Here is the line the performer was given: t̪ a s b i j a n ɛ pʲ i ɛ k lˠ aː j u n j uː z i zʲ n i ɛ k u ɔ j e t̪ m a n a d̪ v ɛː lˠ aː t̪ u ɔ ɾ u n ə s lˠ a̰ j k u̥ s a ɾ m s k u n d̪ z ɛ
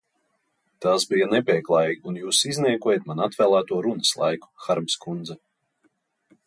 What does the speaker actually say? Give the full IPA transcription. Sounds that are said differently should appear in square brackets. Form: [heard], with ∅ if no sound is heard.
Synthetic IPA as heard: t̪ a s b i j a n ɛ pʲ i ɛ k lˠ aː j u n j uː [s] i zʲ n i ɛ k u ɔ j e t̪ m a n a [t̪] v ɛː lˠ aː t̪ u ɔ ɾ u n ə s lˠ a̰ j k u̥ [x] a ɾ m s k u n d̪ z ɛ

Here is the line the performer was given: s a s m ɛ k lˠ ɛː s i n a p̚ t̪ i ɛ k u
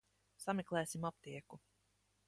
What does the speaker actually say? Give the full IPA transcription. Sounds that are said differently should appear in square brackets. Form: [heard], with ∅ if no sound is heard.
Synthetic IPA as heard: s a [∅] m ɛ k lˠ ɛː s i [m] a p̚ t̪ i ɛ k u

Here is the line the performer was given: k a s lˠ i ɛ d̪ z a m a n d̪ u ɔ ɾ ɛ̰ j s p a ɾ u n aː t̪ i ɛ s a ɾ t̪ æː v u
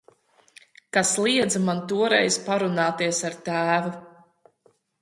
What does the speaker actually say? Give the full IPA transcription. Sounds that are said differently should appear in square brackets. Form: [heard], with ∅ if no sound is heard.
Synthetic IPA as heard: k a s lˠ i ɛ d̪ z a m a n [t̪] u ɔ ɾ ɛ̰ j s p a ɾ u n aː t̪ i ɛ s a ɾ t̪ æː v u

